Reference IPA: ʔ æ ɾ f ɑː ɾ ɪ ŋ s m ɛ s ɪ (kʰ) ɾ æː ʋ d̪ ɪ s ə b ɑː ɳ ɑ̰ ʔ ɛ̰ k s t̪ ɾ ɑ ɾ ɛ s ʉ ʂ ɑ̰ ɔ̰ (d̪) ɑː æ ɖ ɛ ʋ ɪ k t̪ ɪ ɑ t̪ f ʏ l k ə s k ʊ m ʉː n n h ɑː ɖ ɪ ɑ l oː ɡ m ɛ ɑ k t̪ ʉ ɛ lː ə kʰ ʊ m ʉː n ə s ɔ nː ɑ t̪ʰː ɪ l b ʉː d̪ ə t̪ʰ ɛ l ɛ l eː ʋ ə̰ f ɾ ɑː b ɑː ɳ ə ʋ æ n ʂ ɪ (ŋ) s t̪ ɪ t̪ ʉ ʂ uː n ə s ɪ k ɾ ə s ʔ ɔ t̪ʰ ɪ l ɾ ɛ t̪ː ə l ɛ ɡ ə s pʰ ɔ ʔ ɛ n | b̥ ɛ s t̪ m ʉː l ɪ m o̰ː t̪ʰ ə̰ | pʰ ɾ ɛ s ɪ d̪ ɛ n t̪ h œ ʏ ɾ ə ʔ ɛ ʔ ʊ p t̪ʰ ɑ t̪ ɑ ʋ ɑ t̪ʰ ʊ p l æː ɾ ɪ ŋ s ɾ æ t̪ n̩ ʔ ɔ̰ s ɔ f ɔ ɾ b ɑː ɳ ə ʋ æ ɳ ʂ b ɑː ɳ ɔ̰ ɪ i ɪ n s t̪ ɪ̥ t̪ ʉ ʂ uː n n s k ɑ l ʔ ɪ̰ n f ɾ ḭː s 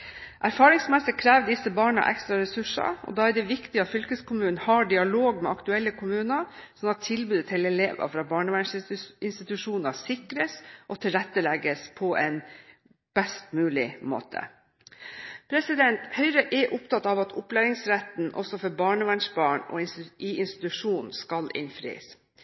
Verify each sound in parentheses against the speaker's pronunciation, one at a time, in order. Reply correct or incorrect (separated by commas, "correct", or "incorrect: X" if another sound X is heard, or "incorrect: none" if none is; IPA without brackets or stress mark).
correct, correct, incorrect: n